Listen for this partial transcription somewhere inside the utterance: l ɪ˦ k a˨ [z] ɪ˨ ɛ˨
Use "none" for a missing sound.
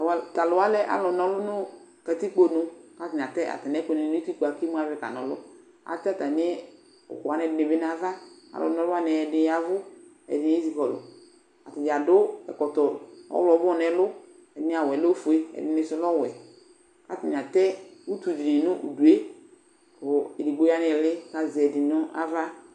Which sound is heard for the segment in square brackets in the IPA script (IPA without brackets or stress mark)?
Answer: z